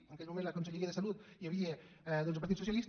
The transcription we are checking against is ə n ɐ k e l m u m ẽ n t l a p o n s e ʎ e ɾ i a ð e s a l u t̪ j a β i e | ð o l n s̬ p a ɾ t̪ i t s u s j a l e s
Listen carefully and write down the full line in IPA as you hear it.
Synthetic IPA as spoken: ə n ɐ k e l m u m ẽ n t l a k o n s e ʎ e ɾ i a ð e s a l u t̪ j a β i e | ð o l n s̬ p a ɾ t̪ i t s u s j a l i s